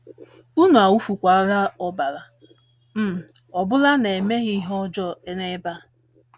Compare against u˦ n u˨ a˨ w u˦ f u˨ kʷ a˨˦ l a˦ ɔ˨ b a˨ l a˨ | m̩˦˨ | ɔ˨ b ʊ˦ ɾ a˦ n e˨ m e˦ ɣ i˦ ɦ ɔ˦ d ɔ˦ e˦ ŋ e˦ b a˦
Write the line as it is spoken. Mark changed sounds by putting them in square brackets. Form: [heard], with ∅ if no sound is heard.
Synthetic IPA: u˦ n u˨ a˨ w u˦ f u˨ kʷ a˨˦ [ɾ] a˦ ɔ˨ b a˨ l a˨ | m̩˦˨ | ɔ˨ b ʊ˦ [l] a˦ n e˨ m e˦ ɣ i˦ ɦ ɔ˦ [d͡ʒ] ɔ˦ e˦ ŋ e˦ b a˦

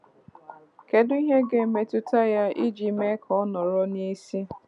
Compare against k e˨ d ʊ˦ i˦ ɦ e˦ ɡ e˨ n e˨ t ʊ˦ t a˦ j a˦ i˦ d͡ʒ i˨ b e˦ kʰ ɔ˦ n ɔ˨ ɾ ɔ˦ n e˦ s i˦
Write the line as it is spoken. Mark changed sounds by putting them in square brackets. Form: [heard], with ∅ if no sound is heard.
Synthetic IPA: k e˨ d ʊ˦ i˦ ɦ e˦ ɡ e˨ [m] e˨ t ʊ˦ t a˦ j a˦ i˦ d͡ʒ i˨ [m] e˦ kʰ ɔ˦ n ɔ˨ ɾ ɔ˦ n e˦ s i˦

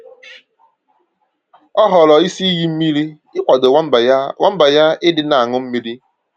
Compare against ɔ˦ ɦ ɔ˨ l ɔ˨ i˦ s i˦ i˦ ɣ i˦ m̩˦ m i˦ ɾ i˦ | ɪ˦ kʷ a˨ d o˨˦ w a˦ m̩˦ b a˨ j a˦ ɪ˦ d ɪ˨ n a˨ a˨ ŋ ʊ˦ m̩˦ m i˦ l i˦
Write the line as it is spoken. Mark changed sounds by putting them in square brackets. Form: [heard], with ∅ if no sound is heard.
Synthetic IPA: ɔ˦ ɦ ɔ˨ l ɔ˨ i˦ s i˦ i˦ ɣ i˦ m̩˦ m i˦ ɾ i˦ | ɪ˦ kʷ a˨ d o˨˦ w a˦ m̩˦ b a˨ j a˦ ɪ˦ d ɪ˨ n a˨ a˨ ŋ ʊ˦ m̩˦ m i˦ [ɾ] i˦

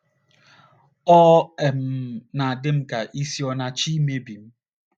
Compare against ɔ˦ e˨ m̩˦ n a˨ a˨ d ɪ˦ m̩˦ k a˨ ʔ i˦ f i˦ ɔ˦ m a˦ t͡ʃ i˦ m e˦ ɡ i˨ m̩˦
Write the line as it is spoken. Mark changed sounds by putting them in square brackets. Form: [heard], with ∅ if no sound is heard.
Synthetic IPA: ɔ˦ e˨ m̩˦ n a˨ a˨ d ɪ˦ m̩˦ k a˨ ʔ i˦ [s] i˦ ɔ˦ [n] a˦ t͡ʃ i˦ m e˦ [b] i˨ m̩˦

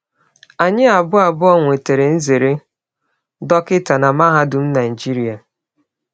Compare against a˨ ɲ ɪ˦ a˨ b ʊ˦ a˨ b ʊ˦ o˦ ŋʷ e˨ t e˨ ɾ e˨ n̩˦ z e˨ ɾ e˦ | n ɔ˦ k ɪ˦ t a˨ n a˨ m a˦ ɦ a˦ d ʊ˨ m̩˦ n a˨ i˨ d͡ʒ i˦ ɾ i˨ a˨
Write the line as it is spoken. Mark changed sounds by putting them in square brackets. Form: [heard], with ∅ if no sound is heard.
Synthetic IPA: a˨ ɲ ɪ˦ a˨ b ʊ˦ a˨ b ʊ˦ [ɔ˦] ŋʷ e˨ t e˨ ɾ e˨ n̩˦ z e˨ ɾ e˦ | [d] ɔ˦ k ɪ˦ t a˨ n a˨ m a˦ ɦ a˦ d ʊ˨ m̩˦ n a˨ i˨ d͡ʒ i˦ ɾ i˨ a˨

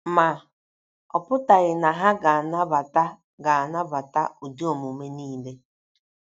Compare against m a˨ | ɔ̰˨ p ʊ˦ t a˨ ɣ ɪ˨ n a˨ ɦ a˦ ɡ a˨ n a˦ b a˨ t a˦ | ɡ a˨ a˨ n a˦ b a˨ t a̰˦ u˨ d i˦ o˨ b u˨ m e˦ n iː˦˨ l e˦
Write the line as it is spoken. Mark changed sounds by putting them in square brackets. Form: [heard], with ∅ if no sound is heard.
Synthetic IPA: m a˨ | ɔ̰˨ p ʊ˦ t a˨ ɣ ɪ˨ n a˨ ɦ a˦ ɡ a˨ n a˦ b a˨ t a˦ | ɡ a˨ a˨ n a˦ b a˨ t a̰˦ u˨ d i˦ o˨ [m] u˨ m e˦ n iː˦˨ l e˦

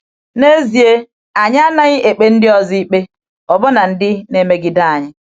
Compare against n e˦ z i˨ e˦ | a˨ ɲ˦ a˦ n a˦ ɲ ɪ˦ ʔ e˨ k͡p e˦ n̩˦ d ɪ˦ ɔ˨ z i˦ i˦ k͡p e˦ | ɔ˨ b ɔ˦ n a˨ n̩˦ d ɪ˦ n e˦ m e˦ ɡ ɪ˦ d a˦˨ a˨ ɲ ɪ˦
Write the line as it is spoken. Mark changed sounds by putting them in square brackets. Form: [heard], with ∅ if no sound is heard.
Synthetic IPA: n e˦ z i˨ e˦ | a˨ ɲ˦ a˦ n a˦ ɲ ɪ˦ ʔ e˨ k͡p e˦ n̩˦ d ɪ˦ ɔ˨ z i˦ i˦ k͡p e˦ | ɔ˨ b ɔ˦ n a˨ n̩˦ d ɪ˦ n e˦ m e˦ ɡ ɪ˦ d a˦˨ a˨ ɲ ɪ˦

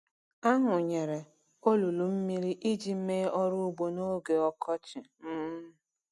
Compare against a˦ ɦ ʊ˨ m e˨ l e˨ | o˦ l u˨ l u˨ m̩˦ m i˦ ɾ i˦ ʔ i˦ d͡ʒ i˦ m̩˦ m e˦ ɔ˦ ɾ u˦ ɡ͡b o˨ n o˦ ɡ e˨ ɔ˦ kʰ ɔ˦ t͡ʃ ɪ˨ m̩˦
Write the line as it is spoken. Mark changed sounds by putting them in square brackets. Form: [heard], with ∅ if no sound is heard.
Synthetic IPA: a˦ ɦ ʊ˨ [ɲ] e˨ [ɾ] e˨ | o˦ l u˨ l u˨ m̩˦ m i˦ ɾ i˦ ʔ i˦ d͡ʒ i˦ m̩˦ m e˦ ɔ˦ ɾ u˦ ɡ͡b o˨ n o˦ ɡ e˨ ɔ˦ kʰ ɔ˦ t͡ʃ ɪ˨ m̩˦

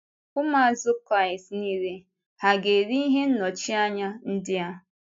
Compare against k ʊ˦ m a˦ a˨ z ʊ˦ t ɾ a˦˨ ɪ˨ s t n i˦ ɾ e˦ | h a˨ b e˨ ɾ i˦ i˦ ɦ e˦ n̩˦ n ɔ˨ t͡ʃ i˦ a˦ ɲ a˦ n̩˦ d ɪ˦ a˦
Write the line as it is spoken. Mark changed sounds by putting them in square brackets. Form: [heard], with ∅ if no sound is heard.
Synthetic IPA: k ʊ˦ m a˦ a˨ z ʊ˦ [k] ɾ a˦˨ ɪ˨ s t n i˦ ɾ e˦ | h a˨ [ɡ] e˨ ɾ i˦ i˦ ɦ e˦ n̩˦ n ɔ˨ t͡ʃ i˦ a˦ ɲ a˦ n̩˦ d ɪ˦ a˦

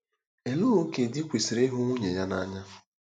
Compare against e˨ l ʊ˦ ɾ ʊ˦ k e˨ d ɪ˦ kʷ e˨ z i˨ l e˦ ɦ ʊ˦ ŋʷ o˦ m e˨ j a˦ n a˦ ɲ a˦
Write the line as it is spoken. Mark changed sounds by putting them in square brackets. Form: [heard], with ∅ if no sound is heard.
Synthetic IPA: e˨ l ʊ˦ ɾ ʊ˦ k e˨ d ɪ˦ kʷ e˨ [s] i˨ [ɾ] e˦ ɦ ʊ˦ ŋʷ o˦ [ɲ] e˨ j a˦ n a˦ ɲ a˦

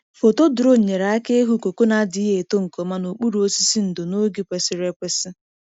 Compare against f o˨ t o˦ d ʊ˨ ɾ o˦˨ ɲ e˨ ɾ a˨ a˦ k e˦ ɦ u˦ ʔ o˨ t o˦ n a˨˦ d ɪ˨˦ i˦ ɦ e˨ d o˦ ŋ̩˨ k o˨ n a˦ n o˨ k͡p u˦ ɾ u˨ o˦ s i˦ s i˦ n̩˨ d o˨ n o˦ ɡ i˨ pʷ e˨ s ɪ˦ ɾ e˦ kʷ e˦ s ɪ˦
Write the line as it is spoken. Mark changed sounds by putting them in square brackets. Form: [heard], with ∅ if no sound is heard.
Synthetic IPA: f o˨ t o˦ d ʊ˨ ɾ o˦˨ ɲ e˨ ɾ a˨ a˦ k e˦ ɦ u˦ [k] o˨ [k] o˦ n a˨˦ d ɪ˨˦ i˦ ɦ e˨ [t] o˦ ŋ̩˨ k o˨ [m] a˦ n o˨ k͡p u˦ ɾ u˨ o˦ s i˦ s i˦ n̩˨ d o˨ n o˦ ɡ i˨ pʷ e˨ s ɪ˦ ɾ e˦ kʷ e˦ s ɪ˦

